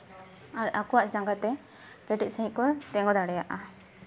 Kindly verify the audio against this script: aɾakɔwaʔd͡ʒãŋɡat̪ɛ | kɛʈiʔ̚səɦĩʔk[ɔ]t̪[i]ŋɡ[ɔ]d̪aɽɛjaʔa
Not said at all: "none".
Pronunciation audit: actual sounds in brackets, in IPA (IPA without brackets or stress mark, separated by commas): ɔ, ɛ, ɔ